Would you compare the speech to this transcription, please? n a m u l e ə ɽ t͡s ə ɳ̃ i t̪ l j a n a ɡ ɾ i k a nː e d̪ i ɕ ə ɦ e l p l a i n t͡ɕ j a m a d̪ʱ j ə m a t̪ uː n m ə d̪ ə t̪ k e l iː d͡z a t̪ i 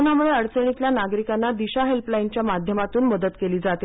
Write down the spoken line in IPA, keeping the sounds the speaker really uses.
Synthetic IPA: n a m u ɭ e ə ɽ t͡s ə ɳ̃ i t̪ l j a n a ɡ ɾ i k a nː a d̪ i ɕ a ɦ e l p l a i n t͡ɕ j a m a d̪ʱ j ə m a t̪ uː n m ə d̪ ə t̪ k e l iː d͡z a t̪ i